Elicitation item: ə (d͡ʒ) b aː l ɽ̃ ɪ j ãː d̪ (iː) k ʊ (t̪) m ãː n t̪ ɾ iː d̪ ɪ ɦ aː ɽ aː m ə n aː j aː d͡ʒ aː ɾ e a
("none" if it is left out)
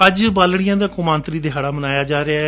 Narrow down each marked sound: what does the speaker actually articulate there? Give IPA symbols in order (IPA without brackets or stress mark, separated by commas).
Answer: d͡ʒ, aː, none